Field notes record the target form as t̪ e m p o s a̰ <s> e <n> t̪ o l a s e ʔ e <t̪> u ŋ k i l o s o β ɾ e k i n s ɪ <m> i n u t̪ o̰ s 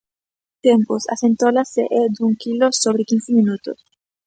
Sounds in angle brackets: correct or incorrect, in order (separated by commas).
correct, correct, incorrect, correct